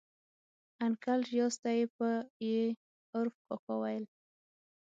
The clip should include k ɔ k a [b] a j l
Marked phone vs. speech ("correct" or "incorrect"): incorrect